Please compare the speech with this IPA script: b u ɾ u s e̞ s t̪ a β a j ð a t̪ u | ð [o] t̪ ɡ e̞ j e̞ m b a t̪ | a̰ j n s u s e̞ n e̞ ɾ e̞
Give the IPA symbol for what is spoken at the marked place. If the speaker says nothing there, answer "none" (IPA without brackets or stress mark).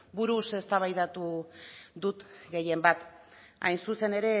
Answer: u